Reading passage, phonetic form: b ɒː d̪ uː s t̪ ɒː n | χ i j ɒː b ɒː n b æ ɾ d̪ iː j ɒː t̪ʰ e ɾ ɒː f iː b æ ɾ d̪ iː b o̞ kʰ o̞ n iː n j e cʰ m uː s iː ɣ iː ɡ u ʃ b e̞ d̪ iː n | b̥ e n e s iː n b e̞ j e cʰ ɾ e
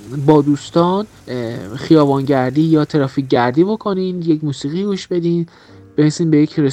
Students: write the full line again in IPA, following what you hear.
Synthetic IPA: b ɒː d̪ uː s t̪ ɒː n | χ i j ɒː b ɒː n ɟ æ ɾ d̪ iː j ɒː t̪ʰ e ɾ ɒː f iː ɟ æ ɾ d̪ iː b o̞ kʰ o̞ n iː n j e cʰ m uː s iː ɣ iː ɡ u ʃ b e̞ d̪ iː n | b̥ e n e s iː n b e̞ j e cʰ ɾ e